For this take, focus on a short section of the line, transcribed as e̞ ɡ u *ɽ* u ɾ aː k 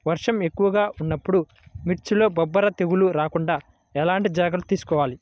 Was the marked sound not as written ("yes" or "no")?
yes